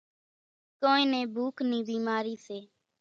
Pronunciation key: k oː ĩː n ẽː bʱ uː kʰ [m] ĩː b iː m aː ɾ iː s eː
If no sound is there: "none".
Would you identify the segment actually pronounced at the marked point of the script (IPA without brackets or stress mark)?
n